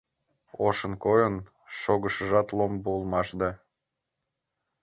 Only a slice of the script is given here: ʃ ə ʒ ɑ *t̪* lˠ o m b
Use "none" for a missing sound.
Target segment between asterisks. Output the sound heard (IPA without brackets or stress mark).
t̪